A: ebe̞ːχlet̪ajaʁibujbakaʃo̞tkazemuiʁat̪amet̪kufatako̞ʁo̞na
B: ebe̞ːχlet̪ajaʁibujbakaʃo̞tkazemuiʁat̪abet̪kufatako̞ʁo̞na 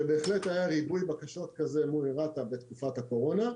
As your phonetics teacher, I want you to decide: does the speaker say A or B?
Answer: B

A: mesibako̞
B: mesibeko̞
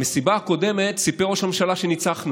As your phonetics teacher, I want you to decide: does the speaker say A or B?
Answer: A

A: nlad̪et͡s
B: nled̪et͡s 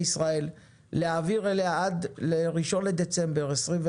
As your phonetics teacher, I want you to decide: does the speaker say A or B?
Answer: B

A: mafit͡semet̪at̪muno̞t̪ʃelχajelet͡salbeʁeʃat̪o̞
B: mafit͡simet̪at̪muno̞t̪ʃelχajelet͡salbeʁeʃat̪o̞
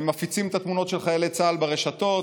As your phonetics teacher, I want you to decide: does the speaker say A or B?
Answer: B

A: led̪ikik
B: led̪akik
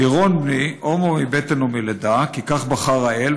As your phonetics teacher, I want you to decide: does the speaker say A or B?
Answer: B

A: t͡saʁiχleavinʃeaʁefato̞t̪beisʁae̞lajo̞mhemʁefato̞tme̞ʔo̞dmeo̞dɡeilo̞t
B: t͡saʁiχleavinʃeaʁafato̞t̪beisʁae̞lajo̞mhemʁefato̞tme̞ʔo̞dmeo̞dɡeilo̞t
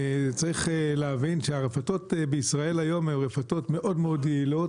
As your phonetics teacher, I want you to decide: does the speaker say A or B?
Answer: A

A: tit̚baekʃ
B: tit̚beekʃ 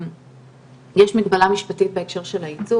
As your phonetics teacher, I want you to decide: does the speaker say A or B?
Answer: B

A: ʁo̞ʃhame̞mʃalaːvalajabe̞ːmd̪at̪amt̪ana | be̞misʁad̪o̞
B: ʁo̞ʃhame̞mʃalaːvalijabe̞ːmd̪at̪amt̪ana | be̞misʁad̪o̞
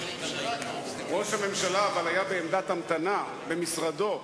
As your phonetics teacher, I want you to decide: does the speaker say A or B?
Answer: A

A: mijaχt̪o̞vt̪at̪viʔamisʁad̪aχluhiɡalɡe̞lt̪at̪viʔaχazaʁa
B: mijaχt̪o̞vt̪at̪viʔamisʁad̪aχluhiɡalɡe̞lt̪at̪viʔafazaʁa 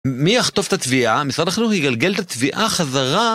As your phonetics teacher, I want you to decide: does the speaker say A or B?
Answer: A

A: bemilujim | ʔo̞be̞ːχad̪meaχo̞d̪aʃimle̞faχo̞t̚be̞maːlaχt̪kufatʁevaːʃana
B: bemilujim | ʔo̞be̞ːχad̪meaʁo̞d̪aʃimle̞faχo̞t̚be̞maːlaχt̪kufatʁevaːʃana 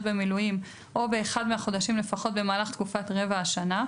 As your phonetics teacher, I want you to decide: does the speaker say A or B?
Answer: A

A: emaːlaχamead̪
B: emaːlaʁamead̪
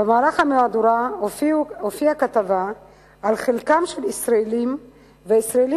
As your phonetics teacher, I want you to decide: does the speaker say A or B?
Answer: A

